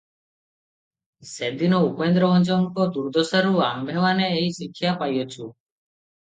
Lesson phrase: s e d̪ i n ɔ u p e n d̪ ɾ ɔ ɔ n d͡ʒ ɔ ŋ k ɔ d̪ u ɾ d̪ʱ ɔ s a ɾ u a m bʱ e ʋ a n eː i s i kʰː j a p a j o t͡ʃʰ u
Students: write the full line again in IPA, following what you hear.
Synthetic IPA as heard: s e d̪ i n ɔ u p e n d̪ ɾ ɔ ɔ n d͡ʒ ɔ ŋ k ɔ d̪ u ɾ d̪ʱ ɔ s a ɾ u a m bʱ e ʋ a n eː i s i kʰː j a p a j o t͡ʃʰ u